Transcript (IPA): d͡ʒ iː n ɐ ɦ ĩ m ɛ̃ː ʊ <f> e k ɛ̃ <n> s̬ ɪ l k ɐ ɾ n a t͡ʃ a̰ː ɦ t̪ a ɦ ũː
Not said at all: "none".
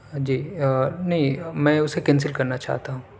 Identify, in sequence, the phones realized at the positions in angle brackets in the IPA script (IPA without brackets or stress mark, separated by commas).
s, n